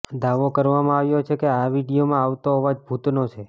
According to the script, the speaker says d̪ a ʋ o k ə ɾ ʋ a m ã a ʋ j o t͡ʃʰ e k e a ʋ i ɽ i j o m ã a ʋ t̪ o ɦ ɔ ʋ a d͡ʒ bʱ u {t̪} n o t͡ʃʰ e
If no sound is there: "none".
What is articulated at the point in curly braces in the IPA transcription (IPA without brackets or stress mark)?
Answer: t̪